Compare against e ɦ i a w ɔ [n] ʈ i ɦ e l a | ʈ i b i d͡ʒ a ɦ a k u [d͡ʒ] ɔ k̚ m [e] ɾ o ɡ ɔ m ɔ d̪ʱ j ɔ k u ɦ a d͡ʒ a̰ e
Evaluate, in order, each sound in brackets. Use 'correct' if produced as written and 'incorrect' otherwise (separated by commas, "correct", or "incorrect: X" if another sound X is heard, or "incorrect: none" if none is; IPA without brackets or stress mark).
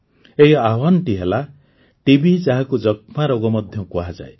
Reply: correct, correct, incorrect: a